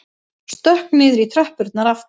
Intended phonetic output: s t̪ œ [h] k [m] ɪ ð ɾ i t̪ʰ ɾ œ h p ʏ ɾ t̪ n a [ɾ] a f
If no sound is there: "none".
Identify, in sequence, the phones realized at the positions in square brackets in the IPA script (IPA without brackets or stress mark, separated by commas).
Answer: h, n, ɾ